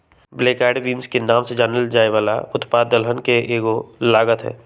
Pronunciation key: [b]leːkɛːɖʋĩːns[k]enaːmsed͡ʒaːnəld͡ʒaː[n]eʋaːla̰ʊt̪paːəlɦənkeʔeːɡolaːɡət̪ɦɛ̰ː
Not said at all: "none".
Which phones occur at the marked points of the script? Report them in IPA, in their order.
b, k, none

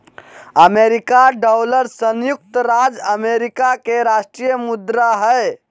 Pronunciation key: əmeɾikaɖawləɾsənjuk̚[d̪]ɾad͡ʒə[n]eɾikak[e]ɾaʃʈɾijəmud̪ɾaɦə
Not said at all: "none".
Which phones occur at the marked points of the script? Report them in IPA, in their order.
t̪, m, e

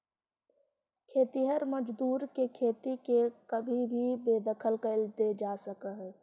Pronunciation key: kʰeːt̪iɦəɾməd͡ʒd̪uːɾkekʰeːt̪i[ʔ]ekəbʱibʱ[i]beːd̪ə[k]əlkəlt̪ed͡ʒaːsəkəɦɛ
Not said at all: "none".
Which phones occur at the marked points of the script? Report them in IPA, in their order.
k, i, kʰ

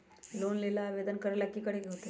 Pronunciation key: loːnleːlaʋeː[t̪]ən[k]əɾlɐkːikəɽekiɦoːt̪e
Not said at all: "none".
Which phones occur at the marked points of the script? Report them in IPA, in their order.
d̪, k

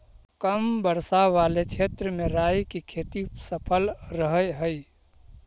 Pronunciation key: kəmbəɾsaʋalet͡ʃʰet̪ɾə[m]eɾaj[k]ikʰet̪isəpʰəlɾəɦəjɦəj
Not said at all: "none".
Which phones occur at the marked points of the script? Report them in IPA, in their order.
m, k

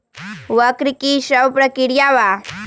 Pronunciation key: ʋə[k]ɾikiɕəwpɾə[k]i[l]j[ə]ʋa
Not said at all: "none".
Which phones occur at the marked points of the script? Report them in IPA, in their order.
k, k, ɽ, a

